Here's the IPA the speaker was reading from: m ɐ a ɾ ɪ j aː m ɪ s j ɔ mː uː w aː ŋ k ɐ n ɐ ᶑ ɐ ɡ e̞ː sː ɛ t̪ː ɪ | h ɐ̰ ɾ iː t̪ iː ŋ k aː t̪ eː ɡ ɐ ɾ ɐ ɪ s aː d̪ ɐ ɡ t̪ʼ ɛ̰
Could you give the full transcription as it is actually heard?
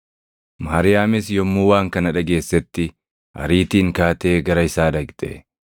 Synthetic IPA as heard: m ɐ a ɾ ɪ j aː m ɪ s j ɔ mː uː w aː ŋ k ɐ n ɐ ᶑ ɐ ɡ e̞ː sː ɛ t̪ː ɪ | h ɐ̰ ɾ iː t̪ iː ŋ k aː t̪ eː ɡ ɐ ɾ ɐ ɪ s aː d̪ ɐ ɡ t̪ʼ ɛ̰